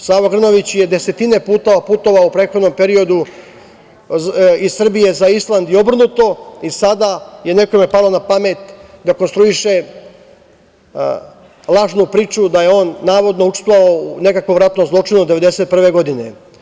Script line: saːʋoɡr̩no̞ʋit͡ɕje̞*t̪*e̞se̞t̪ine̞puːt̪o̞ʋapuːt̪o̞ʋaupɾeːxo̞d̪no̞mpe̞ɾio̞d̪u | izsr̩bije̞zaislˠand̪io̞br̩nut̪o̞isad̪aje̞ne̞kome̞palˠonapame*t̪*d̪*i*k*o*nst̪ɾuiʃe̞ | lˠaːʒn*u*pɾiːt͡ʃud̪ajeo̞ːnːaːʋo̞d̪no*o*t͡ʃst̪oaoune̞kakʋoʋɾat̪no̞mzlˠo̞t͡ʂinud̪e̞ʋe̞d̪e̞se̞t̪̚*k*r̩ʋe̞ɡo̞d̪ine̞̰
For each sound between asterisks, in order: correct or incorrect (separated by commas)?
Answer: incorrect, correct, incorrect, correct, correct, incorrect, incorrect